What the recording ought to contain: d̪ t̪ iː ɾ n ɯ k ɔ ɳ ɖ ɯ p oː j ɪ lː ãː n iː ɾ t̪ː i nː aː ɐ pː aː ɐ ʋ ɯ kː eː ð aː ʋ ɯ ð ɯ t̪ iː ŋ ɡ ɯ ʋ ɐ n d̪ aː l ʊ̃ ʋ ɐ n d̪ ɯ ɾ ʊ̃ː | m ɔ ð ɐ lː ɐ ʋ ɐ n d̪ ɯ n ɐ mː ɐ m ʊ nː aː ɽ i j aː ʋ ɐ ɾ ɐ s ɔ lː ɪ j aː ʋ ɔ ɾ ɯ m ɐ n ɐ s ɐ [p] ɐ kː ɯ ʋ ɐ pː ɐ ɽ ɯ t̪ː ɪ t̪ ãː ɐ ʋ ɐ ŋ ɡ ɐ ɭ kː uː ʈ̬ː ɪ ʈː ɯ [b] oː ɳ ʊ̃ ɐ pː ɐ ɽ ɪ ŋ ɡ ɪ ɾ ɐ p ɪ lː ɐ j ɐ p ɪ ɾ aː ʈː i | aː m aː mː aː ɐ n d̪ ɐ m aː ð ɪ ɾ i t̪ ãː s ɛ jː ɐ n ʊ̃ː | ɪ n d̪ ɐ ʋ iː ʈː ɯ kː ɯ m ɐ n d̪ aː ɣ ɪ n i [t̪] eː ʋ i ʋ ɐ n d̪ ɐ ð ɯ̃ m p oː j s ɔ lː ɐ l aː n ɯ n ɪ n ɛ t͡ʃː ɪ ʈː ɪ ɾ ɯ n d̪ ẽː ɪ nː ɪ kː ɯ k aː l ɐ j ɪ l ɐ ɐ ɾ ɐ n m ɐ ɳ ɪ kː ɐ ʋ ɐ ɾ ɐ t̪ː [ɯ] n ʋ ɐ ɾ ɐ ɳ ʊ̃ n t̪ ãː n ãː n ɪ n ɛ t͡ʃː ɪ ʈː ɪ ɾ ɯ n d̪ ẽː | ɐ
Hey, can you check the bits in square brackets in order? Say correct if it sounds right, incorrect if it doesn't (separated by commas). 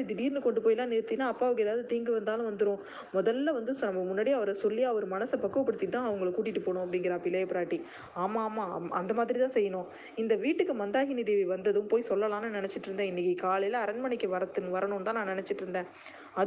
correct, incorrect, incorrect, correct